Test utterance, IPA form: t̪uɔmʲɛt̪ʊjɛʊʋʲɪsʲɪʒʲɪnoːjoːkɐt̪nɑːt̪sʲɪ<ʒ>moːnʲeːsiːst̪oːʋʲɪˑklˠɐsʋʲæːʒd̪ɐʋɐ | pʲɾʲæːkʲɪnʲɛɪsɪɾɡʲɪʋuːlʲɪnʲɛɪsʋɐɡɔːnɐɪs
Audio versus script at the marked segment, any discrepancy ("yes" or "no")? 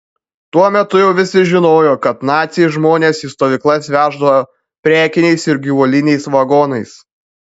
no